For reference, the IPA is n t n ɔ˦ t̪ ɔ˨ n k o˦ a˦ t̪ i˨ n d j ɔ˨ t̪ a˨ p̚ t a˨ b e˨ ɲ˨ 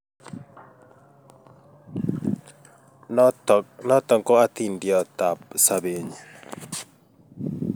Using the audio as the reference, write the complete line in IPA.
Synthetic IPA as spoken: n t n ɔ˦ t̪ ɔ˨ ŋ k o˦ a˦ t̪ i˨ n d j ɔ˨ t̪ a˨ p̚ s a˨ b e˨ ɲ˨